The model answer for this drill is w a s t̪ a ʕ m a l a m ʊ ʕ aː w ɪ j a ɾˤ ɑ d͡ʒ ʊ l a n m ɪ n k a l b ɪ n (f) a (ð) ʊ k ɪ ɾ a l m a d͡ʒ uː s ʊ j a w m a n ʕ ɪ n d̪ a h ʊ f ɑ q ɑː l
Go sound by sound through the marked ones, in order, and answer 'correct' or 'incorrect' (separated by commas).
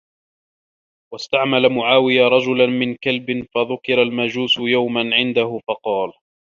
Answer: correct, correct